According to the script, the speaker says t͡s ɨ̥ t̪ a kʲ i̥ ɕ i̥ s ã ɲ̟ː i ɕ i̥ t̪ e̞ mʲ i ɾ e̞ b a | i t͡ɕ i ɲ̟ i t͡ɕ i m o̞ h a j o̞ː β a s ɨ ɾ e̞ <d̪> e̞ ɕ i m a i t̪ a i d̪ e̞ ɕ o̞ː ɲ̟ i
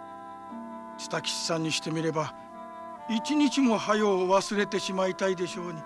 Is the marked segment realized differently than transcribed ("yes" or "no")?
yes